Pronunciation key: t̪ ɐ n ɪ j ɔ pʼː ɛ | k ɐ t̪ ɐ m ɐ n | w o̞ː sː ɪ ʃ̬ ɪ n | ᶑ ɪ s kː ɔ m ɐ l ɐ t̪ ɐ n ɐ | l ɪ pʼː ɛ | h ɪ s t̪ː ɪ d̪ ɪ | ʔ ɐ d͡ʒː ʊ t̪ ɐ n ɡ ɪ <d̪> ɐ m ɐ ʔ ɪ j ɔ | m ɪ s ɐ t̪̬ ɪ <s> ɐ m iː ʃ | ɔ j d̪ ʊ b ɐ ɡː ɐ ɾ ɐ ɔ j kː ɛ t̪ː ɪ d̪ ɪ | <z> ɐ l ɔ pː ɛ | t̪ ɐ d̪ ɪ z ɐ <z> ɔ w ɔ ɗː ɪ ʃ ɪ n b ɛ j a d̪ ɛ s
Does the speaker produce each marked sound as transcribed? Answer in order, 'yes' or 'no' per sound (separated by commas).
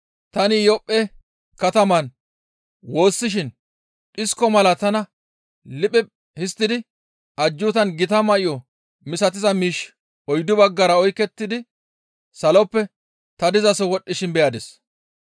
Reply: no, no, no, no